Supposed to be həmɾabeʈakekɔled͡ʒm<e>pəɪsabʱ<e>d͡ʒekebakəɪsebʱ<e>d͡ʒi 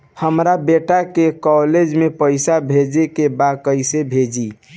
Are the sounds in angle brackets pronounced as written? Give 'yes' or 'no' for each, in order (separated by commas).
yes, yes, yes